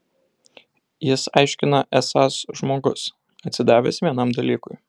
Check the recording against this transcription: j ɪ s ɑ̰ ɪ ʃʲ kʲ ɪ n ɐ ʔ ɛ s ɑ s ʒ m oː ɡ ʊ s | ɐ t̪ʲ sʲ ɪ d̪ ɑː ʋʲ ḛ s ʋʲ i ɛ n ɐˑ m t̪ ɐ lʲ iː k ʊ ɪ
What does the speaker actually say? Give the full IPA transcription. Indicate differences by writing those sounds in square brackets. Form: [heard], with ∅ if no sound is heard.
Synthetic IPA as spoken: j ɪ s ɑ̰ ɪ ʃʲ kʲ ɪ n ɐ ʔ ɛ s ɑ s ʒ m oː ɡ ʊ s | ɐ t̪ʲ sʲ ɪ d̪ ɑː ʋʲ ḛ s ʋʲ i ɛ n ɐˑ m [d̪] ɐ lʲ iː k ʊ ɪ